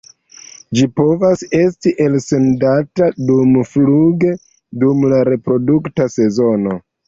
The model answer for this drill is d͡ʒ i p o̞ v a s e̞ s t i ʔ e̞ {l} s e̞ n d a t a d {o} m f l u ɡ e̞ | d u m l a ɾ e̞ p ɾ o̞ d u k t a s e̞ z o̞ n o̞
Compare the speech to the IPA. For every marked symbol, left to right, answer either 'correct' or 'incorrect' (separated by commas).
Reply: correct, incorrect